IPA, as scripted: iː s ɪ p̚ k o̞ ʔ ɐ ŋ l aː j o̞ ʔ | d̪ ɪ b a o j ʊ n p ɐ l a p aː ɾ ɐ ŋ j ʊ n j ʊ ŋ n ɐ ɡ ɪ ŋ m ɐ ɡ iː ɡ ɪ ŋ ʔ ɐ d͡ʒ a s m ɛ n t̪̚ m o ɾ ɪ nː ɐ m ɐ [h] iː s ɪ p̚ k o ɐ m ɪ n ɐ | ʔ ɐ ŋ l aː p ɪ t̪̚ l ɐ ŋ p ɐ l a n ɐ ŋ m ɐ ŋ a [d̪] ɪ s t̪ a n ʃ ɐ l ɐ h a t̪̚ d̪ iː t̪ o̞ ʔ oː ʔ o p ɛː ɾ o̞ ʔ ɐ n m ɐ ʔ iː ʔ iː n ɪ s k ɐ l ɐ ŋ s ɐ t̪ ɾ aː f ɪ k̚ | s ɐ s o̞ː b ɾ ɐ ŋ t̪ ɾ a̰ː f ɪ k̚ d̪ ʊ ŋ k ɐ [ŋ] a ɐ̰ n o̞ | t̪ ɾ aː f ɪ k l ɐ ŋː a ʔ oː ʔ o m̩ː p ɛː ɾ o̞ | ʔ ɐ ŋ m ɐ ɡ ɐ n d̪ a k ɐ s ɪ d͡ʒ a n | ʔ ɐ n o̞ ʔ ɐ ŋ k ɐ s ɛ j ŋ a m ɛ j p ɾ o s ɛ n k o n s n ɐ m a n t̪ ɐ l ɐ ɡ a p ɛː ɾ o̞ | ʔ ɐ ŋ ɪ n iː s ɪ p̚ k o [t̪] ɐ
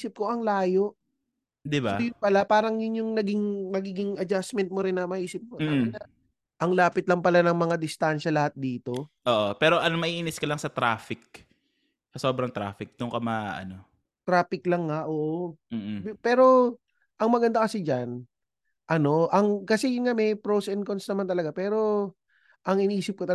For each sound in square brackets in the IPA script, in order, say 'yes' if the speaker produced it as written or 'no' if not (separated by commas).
yes, yes, no, yes